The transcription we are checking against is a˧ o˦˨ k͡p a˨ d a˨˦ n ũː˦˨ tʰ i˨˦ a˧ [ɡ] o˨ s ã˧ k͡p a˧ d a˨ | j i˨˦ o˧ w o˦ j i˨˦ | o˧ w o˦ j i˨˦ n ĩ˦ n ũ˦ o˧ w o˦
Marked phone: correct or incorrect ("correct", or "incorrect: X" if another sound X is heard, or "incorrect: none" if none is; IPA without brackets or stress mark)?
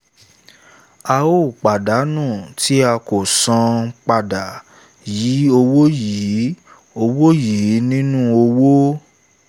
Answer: incorrect: k